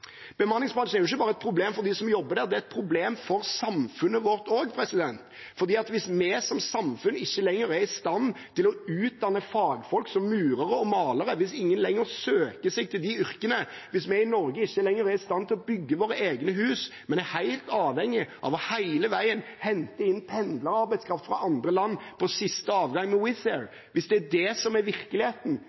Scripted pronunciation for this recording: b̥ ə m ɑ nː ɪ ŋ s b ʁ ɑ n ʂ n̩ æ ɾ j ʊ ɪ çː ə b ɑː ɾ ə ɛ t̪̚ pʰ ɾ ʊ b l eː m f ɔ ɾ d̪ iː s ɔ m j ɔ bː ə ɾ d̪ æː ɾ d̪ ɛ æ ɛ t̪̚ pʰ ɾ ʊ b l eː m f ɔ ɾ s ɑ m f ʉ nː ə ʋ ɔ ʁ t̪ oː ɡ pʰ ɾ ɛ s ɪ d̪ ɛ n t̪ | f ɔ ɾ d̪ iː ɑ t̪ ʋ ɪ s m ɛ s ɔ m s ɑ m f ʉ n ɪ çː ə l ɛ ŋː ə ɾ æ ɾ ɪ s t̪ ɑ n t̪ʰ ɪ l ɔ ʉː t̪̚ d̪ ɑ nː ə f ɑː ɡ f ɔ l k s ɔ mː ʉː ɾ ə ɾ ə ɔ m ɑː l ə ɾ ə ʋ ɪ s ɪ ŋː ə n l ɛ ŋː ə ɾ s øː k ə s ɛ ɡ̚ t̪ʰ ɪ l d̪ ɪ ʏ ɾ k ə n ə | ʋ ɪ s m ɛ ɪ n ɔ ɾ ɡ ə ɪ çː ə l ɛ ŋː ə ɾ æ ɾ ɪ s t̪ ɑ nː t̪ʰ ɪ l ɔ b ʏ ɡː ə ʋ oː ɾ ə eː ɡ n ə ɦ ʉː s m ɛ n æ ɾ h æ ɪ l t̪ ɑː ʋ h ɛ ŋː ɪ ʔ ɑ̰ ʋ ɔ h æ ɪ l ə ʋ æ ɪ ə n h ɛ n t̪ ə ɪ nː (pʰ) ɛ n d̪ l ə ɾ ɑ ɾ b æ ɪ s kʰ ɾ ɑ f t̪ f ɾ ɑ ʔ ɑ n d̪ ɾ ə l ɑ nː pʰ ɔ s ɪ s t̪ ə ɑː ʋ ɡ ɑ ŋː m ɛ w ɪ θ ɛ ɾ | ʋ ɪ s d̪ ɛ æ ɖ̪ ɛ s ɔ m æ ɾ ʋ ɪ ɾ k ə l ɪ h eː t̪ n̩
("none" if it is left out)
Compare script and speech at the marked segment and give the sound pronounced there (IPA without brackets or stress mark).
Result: pʰ